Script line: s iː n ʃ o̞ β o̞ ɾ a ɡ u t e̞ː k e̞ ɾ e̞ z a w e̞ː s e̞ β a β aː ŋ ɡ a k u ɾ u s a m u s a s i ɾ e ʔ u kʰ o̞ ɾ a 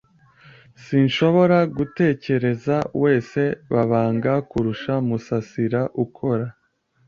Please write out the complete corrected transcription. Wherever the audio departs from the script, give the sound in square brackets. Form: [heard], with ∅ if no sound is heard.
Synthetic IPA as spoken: s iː n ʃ o̞ β o̞ ɾ a ɡ u t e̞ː [c] e̞ ɾ e̞ z a w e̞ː s e̞ β a β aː ŋ ɡ a k u ɾ u [ʃ] a m u s a s i ɾ [a] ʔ u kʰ o̞ ɾ a